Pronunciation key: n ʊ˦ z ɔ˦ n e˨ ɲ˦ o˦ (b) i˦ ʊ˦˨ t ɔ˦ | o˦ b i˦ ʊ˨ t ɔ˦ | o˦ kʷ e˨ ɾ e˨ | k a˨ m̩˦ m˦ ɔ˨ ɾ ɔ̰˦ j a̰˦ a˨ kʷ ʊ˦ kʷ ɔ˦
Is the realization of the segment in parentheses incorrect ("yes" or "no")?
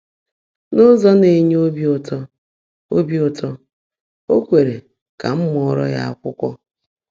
no